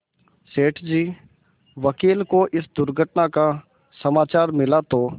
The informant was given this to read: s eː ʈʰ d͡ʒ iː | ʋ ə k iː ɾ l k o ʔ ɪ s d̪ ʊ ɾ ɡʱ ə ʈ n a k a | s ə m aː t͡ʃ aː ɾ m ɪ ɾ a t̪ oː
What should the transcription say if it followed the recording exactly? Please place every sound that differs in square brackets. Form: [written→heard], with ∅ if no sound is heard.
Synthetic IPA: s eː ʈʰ d͡ʒ iː | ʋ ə k iː [ɾ→∅] l k o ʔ ɪ s d̪ ʊ ɾ ɡʱ ə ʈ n a k a | s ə m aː t͡ʃ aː ɾ m ɪ [ɾ→l] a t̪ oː